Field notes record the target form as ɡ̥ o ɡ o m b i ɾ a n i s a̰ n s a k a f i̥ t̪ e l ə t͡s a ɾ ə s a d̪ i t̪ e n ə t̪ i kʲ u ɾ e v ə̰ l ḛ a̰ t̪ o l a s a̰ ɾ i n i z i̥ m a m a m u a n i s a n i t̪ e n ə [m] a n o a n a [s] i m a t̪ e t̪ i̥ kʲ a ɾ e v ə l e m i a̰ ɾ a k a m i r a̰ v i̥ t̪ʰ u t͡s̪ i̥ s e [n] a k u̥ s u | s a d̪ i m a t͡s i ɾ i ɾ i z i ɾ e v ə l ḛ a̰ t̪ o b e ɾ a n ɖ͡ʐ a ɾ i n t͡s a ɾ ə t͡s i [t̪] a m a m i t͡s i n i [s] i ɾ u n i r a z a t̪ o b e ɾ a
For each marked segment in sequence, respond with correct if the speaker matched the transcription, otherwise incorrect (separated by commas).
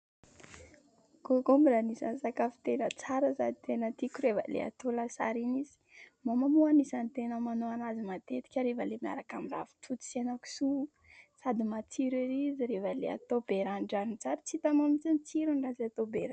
correct, incorrect, correct, correct, incorrect